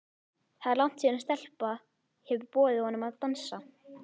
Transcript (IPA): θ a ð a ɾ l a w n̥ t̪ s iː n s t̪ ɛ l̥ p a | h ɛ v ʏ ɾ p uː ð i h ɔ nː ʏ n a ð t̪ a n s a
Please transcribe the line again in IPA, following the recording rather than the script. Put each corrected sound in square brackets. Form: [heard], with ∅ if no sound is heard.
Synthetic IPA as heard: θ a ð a ɾ l a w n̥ t̪ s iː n s t̪ ɛ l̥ p a | h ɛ v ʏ ɾ p [ɔː] ð [ɪ] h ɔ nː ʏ [m] a ð t̪ a n s a